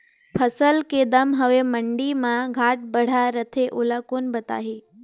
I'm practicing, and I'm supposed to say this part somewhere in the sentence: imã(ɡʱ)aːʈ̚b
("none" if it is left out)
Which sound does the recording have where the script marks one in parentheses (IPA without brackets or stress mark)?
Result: ɡʱ